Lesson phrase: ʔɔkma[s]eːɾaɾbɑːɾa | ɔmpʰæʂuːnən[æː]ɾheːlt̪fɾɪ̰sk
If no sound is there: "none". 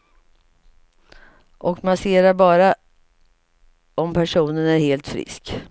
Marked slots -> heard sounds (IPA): s, æ

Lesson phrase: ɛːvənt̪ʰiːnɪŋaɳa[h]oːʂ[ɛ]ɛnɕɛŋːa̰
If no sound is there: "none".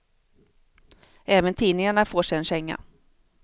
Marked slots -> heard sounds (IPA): f, ɛ

